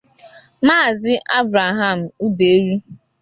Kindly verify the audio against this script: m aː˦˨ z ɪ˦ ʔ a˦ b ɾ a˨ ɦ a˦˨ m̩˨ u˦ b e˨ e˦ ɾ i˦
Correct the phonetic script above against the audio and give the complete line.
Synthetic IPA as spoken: m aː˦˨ z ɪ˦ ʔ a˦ b ɾ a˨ ɦ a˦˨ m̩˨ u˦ b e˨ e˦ ɾ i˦